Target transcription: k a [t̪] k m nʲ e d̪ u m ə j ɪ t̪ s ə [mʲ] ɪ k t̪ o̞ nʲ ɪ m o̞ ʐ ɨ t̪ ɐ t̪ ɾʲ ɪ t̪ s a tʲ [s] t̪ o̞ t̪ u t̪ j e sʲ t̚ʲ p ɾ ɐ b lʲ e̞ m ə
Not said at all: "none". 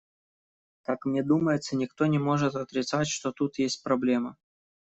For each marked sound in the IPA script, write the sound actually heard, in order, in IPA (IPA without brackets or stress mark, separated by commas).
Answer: none, nʲ, ʂ